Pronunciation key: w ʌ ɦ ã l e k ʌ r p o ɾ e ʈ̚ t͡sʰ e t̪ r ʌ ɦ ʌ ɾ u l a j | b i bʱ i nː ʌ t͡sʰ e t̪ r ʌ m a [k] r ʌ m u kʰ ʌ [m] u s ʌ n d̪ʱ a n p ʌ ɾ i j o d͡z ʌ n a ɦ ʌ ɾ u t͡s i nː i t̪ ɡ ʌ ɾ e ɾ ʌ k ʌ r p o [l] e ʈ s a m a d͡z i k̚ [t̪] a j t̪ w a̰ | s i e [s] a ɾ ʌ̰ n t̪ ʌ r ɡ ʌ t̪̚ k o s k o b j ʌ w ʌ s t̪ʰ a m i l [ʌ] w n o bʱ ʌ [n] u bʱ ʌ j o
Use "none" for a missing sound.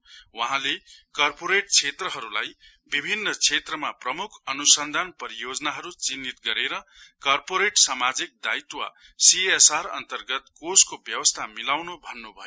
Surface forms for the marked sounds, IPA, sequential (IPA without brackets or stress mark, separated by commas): p, n, ɾ, d̪, s, a, nː